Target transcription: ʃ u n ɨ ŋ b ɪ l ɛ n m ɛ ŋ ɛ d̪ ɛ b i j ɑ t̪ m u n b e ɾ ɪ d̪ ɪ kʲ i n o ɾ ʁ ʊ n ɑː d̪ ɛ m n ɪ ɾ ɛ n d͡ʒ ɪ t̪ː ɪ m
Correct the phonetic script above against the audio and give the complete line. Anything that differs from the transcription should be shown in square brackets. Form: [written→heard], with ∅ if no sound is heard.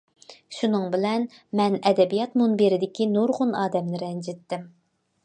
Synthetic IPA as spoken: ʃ u n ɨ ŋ b ɪ l ɛ n m ɛ [ŋ→n] ɛ d̪ ɛ b i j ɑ t̪ m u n b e ɾ ɪ d̪ ɪ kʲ i n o ɾ ʁ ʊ n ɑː d̪ ɛ m n ɪ ɾ ɛ n d͡ʒ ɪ t̪ː ɪ m